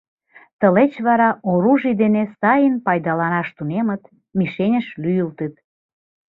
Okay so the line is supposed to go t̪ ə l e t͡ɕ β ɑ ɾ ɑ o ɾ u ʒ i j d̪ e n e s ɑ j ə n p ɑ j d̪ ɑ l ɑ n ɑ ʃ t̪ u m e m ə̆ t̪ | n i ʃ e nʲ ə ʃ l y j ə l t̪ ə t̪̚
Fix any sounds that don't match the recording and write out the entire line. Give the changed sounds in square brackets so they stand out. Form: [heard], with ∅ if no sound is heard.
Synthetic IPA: t̪ ə l e t͡ɕ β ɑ ɾ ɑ o ɾ u ʒ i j d̪ e n e s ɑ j ə n p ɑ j d̪ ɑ l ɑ n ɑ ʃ t̪ u [n] e m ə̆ t̪ | [m] i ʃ e nʲ ə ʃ l y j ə l t̪ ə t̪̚